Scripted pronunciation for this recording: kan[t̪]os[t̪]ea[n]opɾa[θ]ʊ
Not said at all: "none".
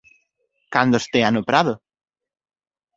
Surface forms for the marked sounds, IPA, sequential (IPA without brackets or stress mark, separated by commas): d̪, t̪, n, ð